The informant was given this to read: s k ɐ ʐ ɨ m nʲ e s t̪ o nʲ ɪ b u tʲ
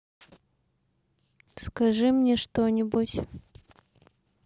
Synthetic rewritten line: s k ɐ ʐ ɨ m nʲ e ʂ t̪ o nʲ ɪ b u tʲ